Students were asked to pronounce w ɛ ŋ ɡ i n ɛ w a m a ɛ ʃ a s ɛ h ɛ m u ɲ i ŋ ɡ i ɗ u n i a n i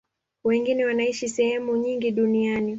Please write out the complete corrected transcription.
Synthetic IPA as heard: w ɛ ŋ ɡ i n ɛ w a n a i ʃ i s ɛ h ɛ m u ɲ i ŋ ɡ i ɗ u n i a n i